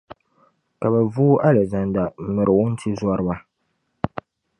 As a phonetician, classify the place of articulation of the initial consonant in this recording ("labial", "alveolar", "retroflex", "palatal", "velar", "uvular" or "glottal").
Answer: velar